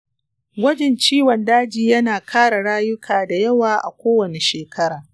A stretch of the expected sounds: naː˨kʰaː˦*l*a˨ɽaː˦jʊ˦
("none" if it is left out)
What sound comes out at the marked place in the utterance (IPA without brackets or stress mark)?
ɽ